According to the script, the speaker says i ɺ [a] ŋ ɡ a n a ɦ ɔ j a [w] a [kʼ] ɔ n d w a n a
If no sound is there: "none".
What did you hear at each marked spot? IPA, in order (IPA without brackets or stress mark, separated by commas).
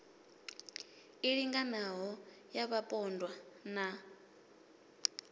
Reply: i, β, pʼ